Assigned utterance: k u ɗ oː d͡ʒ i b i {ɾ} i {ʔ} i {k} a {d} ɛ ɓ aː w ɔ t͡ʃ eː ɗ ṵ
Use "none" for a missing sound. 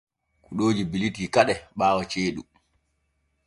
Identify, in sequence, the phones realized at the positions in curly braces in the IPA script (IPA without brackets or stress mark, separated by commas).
l, t, k, ɗ